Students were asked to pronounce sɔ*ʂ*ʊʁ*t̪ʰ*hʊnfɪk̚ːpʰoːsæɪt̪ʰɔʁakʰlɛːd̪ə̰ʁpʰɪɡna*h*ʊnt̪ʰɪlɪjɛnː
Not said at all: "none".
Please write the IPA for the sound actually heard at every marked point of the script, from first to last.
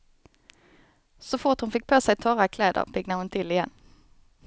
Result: f, t̪, h

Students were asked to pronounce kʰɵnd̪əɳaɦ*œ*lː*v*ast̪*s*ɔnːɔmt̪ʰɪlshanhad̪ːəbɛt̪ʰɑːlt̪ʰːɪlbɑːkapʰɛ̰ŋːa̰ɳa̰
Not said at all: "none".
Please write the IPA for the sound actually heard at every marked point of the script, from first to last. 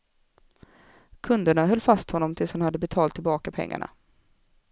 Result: œ, f, h

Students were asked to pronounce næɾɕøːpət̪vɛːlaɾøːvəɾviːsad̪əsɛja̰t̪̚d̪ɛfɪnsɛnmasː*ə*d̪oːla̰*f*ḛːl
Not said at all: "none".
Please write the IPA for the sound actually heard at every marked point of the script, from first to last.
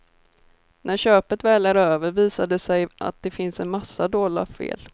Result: a, f

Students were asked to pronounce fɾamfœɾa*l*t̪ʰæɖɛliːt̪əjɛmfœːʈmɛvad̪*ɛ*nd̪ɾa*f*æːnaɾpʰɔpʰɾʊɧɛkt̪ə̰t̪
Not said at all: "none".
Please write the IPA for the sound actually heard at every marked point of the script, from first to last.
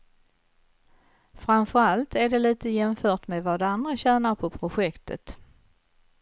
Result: l, a, ɕ

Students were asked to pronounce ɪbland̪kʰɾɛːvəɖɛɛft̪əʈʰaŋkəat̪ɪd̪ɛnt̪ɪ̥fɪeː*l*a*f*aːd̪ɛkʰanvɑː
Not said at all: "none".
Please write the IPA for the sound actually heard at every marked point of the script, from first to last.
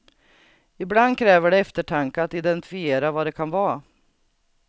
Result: ɾ, v

